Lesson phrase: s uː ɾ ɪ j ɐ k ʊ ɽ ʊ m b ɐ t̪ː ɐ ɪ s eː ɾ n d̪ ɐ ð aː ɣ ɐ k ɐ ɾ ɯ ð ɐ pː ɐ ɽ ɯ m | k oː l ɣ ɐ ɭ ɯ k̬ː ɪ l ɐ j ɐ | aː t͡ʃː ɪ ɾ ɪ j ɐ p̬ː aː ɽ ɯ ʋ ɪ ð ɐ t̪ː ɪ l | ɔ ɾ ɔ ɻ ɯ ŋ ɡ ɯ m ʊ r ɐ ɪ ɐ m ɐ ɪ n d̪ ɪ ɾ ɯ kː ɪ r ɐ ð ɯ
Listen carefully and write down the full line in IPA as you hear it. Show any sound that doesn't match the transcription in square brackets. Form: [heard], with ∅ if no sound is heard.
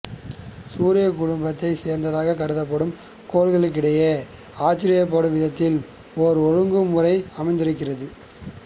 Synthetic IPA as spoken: s uː ɾ ɪ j ɐ k ʊ ɽ ʊ m b ɐ t̪ː ɐ ɪ s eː ɾ n d̪ ɐ ð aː ɣ ɐ k ɐ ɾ ɯ ð ɐ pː ɐ ɽ ɯ m | k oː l ɣ ɐ ɭ ɯ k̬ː ɪ [ɽ] ɐ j ɐ | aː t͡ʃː ɪ ɾ ɪ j ɐ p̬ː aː ɽ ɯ ʋ ɪ ð ɐ t̪ː ɪ l | ɔ ɾ ɔ ɻ ɯ ŋ ɡ ɯ m ʊ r ɐ ɪ ɐ m ɐ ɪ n d̪ ɪ ɾ ɯ kː ɪ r ɐ ð ɯ